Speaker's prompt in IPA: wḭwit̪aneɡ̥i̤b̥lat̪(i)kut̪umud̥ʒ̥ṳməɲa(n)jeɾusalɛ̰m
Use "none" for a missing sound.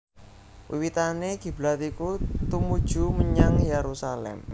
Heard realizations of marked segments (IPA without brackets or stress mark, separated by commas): i, ŋ